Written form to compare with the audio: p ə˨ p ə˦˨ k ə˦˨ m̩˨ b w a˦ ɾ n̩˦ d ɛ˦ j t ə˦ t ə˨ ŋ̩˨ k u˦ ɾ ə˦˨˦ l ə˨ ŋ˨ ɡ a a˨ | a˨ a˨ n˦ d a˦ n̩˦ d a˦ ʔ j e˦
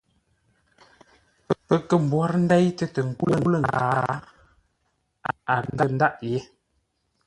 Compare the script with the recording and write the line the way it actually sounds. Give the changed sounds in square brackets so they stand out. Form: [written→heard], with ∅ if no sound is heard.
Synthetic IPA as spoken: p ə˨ p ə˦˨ k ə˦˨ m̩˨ b w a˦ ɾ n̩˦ d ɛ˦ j t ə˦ t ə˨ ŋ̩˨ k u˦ [ɾ→l] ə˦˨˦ l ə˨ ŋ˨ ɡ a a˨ | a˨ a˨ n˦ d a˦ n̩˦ d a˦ ʔ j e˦